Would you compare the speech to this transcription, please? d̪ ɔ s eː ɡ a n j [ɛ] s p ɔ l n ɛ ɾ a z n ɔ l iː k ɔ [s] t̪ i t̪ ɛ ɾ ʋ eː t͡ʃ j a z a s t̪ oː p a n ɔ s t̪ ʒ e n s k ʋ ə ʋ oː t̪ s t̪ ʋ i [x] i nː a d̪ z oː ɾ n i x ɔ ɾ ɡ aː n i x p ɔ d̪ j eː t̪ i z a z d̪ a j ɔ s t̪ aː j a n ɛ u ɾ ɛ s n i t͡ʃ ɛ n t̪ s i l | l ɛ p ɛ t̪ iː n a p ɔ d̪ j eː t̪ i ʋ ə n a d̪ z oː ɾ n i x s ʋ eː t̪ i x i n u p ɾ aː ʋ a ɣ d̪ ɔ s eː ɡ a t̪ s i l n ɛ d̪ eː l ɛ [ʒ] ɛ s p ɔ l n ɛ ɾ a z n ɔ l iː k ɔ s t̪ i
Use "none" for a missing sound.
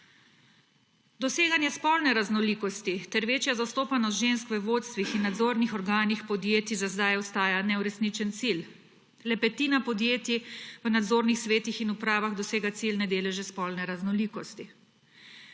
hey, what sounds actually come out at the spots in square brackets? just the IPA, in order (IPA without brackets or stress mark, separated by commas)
ɛ, s, x, ʒ